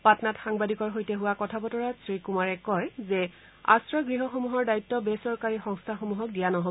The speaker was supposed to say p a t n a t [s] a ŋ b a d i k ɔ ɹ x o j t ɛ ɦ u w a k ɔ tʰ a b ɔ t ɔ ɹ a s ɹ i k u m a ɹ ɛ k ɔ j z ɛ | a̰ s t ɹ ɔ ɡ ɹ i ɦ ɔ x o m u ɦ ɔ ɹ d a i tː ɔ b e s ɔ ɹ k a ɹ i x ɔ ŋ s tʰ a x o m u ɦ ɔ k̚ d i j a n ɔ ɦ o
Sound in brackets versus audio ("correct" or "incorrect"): incorrect